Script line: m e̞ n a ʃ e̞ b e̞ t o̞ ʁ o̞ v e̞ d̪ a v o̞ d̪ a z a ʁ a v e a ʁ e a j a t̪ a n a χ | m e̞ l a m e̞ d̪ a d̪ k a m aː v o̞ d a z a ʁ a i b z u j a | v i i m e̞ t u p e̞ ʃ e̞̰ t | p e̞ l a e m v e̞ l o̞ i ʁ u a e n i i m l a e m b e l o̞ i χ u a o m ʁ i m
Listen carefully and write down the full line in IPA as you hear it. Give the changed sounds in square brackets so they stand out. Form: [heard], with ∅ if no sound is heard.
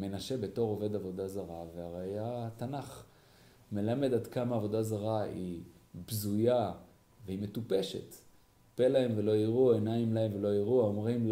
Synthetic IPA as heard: m e̞ n a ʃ e̞ b e̞ t o̞ ʁ o̞ v e̞ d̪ a v o̞ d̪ a z a ʁ a v e a ʁ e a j a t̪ a n a χ | m e̞ l a m e̞ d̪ a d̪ k a m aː v o̞ d a z a ʁ a i b z u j a | v [e] i m e̞ t u p e̞ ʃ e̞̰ t | p e̞ l a e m v e̞ l o̞ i ʁ u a e n [a] i m l a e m [v] e l o̞ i [ʁ] u a o m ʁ i m